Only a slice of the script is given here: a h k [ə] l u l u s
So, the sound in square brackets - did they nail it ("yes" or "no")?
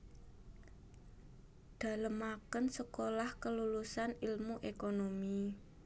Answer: yes